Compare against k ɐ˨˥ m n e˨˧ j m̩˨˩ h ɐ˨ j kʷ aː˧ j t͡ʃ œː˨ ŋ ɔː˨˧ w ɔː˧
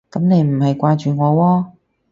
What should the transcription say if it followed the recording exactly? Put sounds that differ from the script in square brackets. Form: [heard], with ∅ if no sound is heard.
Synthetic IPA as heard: k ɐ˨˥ m n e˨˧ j m̩˨˩ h ɐ˨ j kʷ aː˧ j t͡ʃ [yː˨] ŋ ɔː˨˧ w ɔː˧